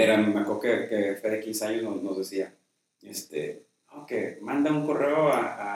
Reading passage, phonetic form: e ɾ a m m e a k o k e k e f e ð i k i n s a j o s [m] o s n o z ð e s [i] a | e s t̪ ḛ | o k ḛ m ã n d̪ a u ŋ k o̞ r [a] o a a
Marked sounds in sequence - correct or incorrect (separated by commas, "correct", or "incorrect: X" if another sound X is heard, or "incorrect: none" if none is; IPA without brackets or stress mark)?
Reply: incorrect: n, correct, incorrect: e